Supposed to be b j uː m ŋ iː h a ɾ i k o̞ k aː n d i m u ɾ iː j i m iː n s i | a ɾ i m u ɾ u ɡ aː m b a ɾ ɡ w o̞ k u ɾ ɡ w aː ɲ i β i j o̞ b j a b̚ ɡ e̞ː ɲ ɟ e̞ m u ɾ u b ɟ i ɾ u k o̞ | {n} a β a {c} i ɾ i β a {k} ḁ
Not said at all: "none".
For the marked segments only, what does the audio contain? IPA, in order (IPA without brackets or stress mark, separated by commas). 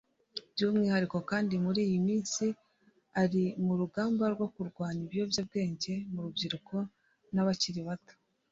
n, c, t